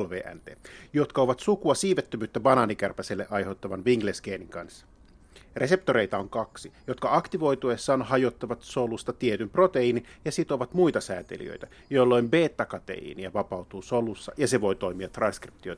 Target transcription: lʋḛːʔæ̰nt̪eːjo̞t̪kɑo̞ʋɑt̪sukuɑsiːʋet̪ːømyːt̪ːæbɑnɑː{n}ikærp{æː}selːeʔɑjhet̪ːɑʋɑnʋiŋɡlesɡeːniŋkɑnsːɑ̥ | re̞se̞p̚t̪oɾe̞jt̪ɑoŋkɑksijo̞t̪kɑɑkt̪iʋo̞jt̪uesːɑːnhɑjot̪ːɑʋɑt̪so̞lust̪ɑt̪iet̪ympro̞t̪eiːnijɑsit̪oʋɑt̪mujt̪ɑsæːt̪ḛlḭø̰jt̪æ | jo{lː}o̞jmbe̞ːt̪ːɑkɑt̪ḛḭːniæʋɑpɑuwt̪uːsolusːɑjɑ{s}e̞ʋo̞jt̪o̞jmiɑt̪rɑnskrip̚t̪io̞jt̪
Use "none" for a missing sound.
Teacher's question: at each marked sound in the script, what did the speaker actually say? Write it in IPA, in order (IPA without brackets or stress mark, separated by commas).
n, æ, lː, s